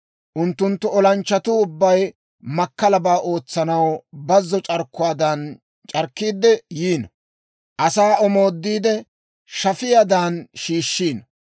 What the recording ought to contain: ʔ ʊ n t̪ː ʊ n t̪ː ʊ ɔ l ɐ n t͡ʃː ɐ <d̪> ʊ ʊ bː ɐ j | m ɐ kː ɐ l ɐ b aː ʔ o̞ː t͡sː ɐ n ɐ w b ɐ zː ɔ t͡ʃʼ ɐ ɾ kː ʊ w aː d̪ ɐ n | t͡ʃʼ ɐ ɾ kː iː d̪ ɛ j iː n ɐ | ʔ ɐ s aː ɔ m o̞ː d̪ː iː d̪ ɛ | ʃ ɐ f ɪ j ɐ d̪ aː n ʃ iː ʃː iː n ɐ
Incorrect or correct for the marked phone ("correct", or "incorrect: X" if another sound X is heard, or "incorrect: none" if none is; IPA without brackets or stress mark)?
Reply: incorrect: t̪